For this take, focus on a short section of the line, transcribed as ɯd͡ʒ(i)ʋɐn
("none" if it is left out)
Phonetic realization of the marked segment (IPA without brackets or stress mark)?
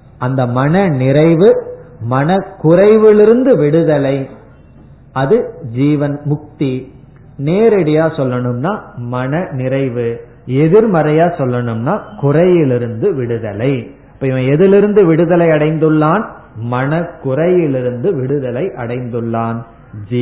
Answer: iː